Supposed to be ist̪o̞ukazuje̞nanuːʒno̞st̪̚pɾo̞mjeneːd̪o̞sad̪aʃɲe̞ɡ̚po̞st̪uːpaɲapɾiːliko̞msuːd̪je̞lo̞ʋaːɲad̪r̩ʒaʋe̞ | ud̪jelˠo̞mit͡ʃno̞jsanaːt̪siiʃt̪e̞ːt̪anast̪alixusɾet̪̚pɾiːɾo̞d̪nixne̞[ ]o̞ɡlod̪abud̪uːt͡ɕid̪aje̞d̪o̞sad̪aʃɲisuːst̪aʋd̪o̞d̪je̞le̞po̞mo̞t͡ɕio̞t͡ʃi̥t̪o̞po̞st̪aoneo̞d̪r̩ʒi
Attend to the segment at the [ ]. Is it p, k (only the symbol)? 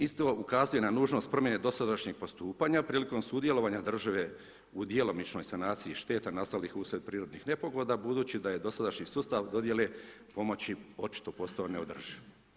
p